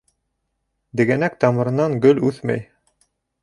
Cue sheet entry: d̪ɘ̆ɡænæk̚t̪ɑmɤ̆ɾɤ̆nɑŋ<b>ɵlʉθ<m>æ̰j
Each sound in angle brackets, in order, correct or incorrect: incorrect: ɡ, correct

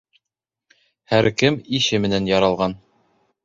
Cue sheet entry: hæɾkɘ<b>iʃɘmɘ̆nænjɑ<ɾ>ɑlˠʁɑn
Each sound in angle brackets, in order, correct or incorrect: incorrect: m, correct

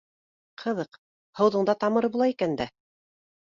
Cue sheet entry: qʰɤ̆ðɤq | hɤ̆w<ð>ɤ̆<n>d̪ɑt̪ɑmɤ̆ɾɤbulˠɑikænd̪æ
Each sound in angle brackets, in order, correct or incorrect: correct, incorrect: ɴ

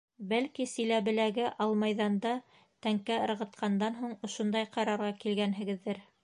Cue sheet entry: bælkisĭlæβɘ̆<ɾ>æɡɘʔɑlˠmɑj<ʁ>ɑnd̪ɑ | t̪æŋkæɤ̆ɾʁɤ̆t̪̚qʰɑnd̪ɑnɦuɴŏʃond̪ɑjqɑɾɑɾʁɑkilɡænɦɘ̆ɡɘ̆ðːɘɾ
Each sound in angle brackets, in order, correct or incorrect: incorrect: l, incorrect: ð

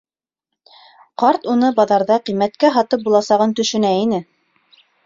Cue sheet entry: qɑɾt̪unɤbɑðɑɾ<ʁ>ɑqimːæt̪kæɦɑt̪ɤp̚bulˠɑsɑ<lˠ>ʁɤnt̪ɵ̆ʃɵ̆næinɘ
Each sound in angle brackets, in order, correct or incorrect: incorrect: ð, incorrect: none

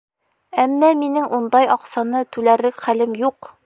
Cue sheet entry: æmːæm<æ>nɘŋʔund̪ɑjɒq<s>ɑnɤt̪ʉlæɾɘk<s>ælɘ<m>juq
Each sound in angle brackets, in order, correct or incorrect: incorrect: i, correct, incorrect: χ, correct

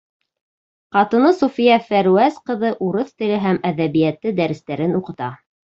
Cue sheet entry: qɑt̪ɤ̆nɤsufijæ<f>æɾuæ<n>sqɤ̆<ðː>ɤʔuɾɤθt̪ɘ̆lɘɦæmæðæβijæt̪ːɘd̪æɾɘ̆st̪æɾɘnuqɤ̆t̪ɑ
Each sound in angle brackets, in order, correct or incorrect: correct, incorrect: none, incorrect: ð

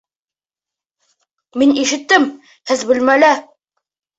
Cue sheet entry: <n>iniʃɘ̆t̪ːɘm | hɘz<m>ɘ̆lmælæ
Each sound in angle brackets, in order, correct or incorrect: incorrect: m, incorrect: b

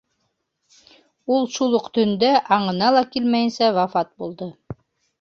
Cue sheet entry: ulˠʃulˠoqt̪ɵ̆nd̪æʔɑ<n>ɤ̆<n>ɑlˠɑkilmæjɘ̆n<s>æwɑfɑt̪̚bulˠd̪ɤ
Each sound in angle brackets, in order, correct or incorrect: incorrect: ɴ, correct, correct

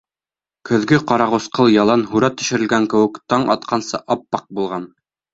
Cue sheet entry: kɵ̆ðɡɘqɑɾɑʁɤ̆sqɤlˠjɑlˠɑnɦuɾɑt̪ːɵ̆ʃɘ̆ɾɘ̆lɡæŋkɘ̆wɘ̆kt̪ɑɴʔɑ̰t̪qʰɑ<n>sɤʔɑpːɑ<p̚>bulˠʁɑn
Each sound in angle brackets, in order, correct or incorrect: correct, incorrect: q̚

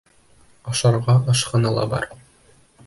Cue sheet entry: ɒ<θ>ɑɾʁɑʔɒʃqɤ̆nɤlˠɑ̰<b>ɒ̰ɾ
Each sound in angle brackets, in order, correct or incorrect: incorrect: ʃ, correct

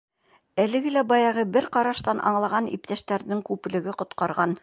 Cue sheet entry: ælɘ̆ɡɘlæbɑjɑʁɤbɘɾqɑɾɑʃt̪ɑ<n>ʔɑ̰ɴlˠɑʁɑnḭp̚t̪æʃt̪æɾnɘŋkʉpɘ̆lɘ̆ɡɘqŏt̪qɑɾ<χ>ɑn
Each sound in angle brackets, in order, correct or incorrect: correct, incorrect: ʁ

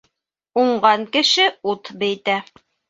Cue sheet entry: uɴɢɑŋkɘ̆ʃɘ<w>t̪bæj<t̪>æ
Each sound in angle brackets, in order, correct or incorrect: incorrect: u, correct

